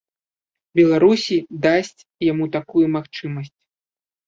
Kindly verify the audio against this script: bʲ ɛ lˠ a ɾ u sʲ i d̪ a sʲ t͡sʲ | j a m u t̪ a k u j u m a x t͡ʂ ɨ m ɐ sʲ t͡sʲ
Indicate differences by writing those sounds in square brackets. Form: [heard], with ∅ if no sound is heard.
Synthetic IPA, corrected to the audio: bʲ ɛ lˠ a ɾ u sʲ i d̪ a sʲ t͡sʲ | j a m u t̪ a k u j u m a x t͡ʂ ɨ m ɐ sʲ t͡sʲ